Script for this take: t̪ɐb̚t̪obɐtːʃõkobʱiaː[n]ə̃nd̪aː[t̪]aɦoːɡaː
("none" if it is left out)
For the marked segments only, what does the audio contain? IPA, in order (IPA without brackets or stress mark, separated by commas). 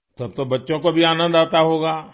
n, t̪